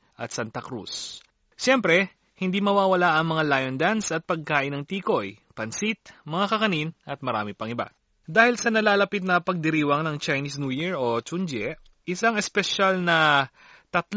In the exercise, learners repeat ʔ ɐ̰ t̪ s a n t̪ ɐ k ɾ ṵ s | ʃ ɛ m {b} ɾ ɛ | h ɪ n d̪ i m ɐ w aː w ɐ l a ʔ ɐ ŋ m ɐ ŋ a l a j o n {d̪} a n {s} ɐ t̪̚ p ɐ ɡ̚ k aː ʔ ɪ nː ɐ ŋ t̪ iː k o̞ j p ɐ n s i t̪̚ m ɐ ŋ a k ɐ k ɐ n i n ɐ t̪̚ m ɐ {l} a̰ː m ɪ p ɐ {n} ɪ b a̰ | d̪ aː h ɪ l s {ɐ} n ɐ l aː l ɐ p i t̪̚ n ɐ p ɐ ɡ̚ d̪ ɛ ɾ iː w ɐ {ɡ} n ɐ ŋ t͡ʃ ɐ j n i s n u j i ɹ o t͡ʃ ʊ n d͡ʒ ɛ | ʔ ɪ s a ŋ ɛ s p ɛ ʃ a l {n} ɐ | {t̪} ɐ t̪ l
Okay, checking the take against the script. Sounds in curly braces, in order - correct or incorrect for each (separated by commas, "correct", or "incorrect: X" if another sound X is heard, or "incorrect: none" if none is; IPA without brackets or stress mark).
incorrect: p, correct, correct, incorrect: ɾ, incorrect: ŋ, correct, incorrect: ŋ, correct, correct